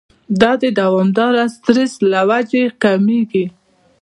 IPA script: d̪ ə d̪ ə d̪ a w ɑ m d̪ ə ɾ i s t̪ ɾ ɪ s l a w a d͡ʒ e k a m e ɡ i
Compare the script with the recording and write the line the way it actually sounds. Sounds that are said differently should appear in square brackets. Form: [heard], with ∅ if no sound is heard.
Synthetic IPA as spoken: d̪ [ɑ] d̪ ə d̪ a w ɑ m d̪ [ɑ] ɾ [a] s t̪ ɾ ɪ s l a w a d͡ʒ e k a m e ɡ i